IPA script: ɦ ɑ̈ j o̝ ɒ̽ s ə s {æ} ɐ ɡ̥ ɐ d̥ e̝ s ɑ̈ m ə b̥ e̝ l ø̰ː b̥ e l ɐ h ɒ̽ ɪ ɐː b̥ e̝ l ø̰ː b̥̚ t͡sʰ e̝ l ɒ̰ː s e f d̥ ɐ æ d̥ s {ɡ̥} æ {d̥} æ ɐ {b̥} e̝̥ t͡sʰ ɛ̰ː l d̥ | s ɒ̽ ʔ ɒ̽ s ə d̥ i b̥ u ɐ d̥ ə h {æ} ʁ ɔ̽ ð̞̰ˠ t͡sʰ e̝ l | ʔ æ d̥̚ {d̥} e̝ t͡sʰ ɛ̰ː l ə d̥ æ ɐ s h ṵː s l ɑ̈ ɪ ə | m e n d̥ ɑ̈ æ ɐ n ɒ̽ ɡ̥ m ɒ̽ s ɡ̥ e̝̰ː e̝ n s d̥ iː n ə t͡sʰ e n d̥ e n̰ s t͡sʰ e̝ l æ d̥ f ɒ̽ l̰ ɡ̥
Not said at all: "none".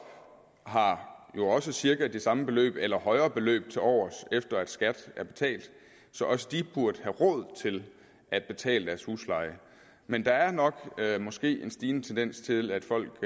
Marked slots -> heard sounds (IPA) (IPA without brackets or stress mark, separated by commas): i, ɡ̥, d̥, b̥, æ, b̥